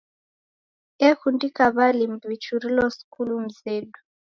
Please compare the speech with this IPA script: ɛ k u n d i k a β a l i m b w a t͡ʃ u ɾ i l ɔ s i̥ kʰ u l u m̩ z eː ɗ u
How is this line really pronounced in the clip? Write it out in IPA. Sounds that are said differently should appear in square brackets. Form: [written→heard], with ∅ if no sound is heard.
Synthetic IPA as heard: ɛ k u n d i k a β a l i m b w [a→i] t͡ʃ u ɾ i l ɔ s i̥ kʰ u l u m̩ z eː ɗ u